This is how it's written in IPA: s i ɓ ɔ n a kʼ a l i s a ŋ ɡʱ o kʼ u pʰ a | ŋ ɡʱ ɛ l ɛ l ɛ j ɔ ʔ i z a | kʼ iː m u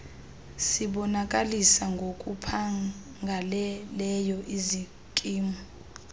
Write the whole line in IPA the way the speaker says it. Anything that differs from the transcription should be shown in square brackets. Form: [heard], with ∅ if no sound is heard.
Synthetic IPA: s i ɓ ɔ n a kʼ a l i s a ŋ ɡʱ o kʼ u pʰ a | ŋ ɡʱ [a] l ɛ l ɛ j ɔ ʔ i z [i] | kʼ iː m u